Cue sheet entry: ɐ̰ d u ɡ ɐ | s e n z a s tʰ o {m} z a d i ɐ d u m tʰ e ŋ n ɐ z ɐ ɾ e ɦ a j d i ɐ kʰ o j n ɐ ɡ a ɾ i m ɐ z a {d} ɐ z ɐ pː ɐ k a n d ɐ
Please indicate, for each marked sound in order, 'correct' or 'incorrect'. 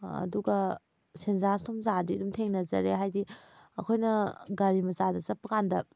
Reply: correct, correct

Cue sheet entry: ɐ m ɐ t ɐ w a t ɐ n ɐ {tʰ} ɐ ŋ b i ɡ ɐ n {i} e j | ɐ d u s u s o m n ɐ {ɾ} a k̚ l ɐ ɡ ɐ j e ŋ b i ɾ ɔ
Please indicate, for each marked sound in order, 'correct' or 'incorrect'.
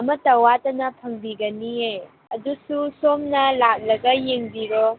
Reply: incorrect: pʰ, correct, incorrect: l

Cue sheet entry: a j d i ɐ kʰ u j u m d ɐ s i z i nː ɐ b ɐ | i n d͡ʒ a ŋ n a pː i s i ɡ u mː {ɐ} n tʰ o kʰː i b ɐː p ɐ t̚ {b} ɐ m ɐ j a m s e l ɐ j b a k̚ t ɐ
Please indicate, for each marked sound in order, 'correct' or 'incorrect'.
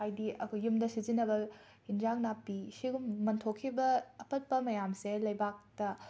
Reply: correct, incorrect: p

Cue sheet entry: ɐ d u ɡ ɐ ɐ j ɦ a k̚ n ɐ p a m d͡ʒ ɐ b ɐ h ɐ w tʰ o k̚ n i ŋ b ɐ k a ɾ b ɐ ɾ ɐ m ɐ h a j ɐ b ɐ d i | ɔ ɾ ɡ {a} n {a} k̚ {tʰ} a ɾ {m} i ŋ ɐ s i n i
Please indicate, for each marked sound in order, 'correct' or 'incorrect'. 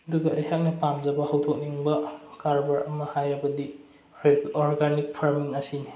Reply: correct, incorrect: i, incorrect: pʰ, correct

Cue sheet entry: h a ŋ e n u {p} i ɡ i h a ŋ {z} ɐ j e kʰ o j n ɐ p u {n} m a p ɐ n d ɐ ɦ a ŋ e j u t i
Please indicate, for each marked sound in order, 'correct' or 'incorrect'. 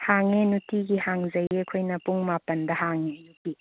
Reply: incorrect: t, correct, incorrect: ŋ

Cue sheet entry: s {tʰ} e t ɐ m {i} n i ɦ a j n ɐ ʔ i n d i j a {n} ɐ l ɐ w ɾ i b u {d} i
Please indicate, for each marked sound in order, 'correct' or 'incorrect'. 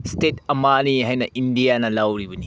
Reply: incorrect: t, incorrect: a, correct, incorrect: n

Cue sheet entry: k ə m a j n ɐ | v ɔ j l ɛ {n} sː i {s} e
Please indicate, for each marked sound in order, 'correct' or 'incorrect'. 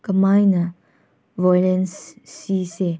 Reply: correct, correct

